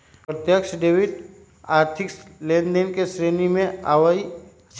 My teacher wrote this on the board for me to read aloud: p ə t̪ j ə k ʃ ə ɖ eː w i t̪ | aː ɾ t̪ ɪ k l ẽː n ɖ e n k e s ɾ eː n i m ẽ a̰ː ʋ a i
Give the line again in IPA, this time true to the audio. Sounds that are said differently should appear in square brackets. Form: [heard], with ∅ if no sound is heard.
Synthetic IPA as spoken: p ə t̪ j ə k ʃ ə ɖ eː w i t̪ | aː ɾ [t̪ʰ] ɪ k l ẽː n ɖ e n k e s ɾ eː n i m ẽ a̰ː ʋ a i